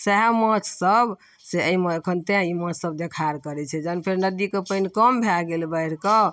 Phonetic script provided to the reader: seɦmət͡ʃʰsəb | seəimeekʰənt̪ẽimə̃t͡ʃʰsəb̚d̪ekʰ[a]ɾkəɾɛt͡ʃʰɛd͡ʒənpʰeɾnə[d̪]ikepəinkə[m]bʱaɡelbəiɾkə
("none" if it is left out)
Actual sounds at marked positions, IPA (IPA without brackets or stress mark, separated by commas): a, d̪, m